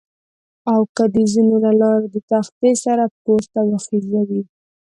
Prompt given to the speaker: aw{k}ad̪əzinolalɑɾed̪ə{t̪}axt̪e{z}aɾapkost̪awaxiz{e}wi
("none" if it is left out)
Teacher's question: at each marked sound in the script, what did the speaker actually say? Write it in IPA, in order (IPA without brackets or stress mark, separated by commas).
k, t̪, s, a